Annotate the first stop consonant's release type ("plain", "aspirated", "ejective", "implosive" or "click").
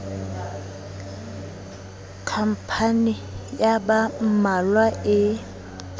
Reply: aspirated